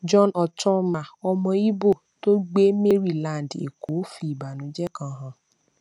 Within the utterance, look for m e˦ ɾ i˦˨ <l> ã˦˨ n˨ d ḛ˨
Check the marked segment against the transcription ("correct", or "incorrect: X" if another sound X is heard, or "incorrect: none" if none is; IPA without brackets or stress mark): correct